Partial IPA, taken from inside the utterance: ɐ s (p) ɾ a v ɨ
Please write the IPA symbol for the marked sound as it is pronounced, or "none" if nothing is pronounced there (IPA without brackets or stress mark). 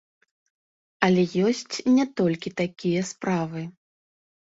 p